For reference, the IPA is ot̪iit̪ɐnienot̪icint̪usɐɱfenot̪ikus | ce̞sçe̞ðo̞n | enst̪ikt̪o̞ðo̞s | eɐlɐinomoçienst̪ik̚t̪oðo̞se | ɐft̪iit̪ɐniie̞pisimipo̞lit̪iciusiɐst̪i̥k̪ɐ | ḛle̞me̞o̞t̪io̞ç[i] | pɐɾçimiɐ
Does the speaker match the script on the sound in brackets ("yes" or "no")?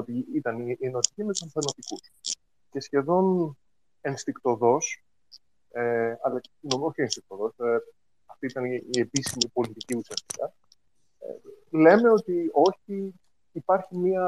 no